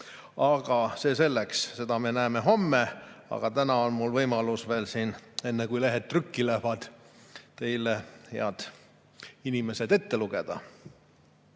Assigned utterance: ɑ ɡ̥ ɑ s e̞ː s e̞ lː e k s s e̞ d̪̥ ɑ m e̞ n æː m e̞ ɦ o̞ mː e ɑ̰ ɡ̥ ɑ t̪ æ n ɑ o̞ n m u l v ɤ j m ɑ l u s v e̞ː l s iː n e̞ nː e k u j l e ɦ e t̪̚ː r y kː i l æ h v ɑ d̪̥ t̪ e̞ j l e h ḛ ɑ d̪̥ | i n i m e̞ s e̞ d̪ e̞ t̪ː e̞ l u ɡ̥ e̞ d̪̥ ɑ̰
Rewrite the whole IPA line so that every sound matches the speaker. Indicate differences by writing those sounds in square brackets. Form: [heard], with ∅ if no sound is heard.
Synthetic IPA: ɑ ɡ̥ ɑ s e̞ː s e̞ lː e k s s e̞ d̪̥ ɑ m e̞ n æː m e̞ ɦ o̞ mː e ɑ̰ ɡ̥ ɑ t̪ æ n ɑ o̞ n m u l v ɤ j m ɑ l u s v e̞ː l s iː n e̞ nː e k u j l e ɦ e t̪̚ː r y kː i l æ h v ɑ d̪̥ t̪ e̞ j l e h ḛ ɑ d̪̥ | i n i m e̞ s e̞ d̪ e̞ t̪ː e̞ l u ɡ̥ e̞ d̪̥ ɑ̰